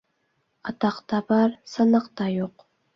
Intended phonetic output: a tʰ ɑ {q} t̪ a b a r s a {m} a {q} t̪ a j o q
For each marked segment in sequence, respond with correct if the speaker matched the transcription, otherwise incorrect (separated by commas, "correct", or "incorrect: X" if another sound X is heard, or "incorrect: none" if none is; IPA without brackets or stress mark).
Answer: correct, incorrect: n, correct